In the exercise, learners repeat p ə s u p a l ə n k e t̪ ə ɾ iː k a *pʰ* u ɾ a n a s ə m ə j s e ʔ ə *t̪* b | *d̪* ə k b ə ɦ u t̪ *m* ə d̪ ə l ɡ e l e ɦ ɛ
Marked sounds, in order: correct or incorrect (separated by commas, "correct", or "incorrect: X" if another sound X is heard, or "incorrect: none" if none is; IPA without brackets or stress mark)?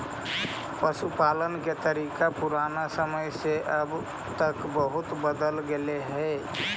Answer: incorrect: p, incorrect: none, incorrect: t̪, incorrect: b